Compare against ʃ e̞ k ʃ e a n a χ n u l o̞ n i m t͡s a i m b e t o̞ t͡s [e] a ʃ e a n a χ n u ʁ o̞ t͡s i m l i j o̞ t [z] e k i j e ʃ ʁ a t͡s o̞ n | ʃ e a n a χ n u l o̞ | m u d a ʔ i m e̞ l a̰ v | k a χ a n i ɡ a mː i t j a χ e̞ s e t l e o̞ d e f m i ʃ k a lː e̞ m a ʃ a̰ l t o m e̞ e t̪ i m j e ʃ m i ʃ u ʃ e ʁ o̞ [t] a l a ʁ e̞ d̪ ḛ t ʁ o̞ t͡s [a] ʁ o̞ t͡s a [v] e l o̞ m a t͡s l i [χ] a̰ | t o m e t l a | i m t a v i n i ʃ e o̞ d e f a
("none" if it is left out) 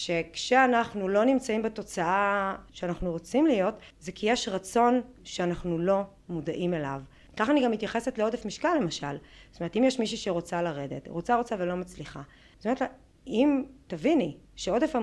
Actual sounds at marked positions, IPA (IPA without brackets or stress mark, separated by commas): a, z, t͡s, a, v, χ